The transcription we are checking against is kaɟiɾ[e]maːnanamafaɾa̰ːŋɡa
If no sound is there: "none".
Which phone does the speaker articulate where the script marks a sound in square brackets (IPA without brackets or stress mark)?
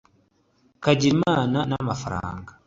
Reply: i